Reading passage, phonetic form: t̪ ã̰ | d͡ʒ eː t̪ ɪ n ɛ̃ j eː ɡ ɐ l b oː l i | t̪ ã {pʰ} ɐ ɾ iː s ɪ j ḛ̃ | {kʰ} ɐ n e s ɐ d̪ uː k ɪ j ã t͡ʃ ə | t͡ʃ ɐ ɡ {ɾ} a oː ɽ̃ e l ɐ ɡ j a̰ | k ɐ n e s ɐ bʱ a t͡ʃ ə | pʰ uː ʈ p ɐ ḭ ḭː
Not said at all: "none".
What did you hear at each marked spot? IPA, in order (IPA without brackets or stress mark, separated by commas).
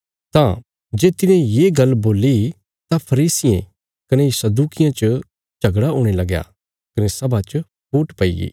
pʰ, k, ɽ